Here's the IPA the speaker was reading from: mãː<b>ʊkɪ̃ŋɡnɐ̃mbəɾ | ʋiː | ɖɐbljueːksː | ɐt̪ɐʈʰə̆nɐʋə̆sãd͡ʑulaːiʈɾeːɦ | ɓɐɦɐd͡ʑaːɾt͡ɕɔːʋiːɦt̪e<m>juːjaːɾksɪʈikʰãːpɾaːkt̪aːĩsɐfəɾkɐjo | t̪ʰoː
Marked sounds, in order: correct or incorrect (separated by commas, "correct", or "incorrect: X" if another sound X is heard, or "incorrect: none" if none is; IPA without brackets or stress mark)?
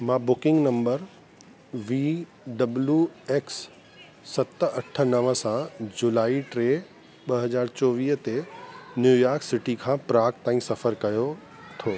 correct, incorrect: n